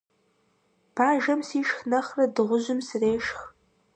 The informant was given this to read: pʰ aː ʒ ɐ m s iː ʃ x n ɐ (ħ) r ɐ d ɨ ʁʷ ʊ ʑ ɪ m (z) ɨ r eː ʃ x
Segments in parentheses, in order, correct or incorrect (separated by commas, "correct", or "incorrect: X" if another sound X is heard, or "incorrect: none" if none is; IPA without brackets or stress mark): incorrect: χ, incorrect: s